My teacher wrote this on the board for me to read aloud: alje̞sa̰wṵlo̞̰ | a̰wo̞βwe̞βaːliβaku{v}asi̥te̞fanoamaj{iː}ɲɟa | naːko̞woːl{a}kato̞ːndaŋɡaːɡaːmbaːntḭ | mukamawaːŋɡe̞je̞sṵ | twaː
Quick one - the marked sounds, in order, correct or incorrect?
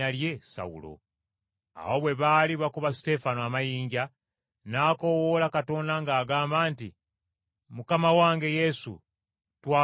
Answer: incorrect: β, correct, correct

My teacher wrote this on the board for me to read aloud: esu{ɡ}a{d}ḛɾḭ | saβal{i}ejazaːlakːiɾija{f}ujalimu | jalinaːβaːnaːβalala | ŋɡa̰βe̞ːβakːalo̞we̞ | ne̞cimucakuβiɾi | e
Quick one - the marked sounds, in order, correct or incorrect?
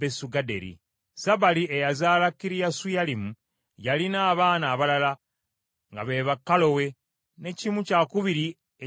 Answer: correct, correct, correct, incorrect: s

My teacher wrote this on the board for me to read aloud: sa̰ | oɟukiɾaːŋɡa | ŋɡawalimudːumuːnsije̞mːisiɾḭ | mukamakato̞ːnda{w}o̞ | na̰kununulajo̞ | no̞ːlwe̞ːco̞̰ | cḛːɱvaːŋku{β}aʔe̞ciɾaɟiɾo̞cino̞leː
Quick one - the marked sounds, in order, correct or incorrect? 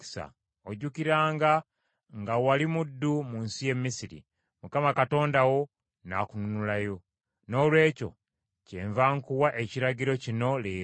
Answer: correct, incorrect: w

